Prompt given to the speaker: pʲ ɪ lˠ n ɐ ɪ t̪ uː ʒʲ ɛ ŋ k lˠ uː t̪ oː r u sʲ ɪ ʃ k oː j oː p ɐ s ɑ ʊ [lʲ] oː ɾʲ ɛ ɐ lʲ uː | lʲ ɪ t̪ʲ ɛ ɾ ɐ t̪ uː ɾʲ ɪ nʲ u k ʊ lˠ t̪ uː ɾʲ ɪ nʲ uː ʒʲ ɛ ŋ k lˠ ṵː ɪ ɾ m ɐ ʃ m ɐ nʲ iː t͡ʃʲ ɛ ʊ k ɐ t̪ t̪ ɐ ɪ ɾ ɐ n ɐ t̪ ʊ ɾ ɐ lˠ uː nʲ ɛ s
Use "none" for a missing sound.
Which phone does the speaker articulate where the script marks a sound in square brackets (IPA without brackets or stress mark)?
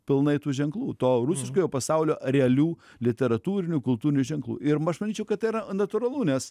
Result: lʲ